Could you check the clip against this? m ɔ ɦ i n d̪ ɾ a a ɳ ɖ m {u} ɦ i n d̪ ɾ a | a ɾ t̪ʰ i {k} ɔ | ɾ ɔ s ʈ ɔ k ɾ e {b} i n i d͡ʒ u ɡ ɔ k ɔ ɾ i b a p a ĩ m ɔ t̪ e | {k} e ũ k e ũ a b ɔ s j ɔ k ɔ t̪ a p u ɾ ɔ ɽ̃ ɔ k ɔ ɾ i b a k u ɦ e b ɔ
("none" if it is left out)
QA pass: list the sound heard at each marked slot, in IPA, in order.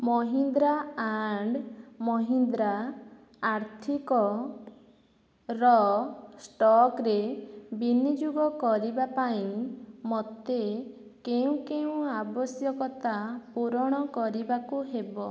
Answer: ɔ, k, b, k

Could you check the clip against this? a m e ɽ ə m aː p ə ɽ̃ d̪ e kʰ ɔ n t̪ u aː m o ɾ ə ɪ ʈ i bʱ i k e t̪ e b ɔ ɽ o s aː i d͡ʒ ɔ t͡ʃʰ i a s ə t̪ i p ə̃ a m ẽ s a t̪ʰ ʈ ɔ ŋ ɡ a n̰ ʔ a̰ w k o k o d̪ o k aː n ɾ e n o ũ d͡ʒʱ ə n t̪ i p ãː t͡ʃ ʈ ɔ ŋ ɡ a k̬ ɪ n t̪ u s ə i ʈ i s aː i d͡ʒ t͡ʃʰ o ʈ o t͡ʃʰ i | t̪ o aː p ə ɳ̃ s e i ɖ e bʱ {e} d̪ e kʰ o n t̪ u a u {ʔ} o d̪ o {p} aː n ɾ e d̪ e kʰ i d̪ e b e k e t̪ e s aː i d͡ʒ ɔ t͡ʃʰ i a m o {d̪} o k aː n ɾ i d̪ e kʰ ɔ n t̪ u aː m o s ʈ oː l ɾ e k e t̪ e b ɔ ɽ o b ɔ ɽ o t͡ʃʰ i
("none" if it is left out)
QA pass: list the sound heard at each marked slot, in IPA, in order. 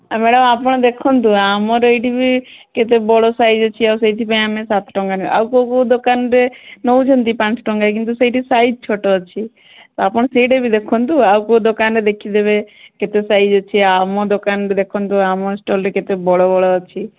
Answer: i, k, k, d̪

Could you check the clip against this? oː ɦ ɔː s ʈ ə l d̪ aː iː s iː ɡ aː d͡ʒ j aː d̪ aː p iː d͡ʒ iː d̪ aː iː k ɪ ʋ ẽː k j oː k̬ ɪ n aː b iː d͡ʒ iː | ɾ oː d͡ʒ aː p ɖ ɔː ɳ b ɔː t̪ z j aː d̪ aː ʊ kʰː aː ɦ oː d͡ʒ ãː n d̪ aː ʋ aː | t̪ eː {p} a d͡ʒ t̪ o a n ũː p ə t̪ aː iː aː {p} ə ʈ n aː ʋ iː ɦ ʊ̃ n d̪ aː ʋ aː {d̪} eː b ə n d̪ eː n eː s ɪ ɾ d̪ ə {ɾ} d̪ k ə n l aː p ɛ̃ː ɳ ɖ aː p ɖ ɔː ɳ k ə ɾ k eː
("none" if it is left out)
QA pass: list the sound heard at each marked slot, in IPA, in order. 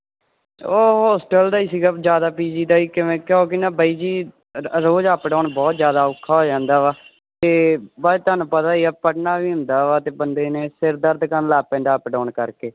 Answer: b, p, t̪, ɾ

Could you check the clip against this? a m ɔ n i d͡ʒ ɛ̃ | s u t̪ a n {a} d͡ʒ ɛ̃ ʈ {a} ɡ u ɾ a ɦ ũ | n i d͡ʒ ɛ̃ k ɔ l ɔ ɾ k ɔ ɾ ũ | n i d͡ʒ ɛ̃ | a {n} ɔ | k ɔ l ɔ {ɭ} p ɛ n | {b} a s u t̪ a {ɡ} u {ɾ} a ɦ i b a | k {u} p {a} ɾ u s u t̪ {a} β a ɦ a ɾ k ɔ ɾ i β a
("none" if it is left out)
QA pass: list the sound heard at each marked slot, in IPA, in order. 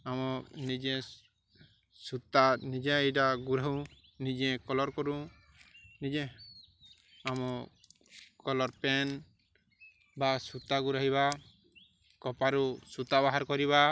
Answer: i, a, m, ɾ, b, ɡ, ɾ, ɔ, a, a

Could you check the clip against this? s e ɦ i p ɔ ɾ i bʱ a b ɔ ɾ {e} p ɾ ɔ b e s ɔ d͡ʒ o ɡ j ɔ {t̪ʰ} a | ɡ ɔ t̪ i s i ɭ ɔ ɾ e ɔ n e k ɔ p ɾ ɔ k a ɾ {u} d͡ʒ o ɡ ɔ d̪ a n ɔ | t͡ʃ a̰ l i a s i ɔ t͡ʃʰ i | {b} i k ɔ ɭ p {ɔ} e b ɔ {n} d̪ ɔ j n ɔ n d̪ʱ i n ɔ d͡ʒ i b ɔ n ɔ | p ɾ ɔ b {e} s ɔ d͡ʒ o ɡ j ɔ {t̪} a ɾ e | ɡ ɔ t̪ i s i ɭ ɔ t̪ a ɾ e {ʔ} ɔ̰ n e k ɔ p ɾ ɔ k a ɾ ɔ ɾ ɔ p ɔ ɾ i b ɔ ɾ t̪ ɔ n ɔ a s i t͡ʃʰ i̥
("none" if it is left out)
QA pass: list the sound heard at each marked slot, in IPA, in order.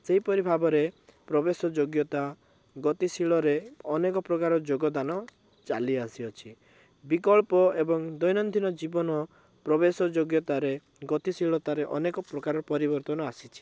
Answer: e, t̪, ɔ, b, ɔ, ŋ, e, t̪, ʔ

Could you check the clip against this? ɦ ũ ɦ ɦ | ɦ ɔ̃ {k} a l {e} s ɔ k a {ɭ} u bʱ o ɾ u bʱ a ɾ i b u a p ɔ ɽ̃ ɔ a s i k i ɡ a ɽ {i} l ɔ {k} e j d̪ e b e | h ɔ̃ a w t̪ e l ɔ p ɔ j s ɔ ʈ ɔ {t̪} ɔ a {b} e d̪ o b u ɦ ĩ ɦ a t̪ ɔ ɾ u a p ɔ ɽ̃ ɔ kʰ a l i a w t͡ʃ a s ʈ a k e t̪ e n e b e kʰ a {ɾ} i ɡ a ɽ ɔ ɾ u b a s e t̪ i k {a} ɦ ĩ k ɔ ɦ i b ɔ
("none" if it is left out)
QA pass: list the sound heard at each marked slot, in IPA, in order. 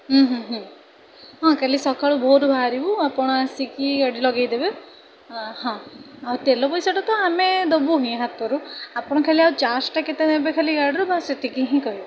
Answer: k, i, ɭ, i, ɡ, t̪, m, l, i

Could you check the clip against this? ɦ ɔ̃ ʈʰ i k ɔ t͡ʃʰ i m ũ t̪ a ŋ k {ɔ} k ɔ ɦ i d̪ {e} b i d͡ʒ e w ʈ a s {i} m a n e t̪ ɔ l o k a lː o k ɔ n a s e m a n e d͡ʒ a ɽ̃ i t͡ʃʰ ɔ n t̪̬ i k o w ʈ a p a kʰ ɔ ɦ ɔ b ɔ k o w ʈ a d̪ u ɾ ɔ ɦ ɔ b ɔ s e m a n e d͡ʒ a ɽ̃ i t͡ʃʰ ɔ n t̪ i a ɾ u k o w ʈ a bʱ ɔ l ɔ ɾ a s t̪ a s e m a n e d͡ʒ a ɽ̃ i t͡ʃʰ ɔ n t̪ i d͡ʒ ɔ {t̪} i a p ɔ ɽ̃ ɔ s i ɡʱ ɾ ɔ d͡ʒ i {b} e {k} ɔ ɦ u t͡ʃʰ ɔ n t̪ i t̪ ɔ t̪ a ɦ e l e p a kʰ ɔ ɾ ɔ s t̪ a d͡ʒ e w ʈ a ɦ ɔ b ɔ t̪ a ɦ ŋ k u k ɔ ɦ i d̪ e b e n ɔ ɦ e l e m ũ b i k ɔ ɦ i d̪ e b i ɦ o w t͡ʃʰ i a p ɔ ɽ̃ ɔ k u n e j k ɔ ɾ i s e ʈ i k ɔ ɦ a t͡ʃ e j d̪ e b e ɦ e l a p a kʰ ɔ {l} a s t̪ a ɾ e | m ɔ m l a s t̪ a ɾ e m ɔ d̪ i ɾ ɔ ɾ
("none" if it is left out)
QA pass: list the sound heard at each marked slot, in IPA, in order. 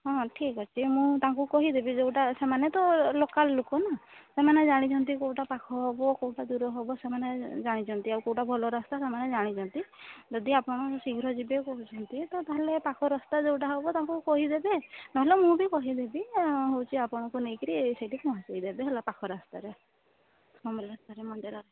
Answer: u, e, e, d̪, b, k, ɾ

